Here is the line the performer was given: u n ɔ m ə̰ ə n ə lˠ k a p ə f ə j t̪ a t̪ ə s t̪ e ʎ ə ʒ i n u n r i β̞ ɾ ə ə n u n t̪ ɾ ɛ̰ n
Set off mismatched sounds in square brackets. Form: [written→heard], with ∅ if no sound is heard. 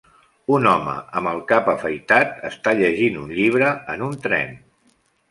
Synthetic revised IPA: u n ɔ m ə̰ ə [n→m] ə lˠ k a p ə f ə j t̪ a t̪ ə s t̪ [e→a] ʎ ə ʒ i n u n [r→ʎ] i β̞ ɾ ə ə n u n t̪ ɾ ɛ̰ n